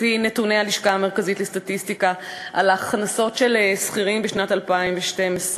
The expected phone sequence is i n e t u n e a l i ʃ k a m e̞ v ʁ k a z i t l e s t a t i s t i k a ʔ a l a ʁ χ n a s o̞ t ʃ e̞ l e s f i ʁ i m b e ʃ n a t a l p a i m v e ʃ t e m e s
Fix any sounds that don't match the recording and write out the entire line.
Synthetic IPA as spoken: i n e t u n e a l i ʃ k a m e̞ ʁ k a z i t l e s t a t i s t i k a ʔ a l a χ n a s o̞ t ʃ e̞ l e s χ i ʁ i m b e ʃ n a t a l p a i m v e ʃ t e m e s